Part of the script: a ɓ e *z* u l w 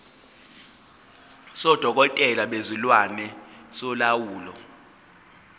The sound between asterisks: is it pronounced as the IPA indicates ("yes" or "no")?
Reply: yes